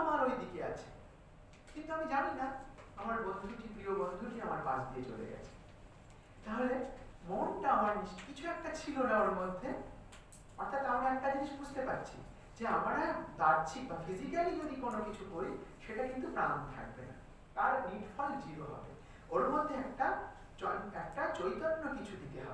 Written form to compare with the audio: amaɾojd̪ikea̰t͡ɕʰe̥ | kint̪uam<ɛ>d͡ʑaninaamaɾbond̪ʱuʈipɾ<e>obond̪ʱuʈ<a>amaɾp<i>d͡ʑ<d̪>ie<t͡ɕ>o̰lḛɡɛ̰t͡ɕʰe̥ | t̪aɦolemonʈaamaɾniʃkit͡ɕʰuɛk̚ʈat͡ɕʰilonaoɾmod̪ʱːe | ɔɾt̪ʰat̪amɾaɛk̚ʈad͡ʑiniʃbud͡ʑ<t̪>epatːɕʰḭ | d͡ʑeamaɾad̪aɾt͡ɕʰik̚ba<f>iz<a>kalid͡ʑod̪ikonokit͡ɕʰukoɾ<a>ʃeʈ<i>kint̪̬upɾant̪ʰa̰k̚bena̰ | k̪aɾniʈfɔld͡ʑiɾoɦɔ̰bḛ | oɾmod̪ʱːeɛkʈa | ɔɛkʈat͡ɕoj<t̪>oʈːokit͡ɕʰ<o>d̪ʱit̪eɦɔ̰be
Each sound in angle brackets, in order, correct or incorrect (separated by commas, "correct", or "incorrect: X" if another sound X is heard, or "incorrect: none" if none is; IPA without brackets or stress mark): incorrect: i, incorrect: i, incorrect: i, incorrect: a, correct, correct, correct, correct, incorrect: i, incorrect: i, incorrect: a, correct, incorrect: u